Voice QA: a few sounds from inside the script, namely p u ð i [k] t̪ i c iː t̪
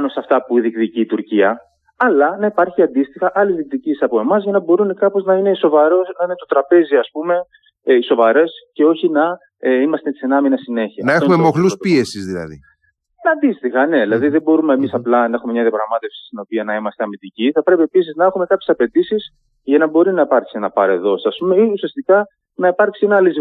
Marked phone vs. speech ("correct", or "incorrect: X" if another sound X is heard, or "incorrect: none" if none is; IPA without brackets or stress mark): correct